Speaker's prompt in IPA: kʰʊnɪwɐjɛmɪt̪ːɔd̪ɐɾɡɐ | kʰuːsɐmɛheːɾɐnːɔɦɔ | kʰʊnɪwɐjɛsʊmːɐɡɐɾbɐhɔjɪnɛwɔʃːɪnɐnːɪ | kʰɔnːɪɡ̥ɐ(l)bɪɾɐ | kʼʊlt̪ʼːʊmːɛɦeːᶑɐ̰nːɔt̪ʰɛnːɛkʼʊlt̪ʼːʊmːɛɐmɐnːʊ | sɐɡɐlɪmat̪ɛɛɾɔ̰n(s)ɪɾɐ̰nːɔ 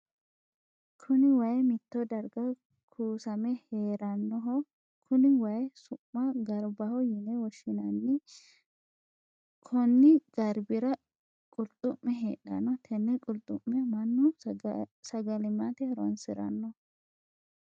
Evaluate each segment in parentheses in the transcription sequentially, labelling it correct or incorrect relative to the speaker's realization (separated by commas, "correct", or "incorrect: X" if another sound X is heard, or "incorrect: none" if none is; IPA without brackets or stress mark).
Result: incorrect: ɾ, correct